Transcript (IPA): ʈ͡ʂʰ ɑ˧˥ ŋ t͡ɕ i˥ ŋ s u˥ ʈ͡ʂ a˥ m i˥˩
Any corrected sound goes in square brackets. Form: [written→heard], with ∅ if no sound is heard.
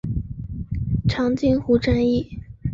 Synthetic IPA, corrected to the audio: ʈ͡ʂʰ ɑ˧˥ ŋ t͡ɕ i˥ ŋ [s→x] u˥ ʈ͡ʂ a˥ [m→n] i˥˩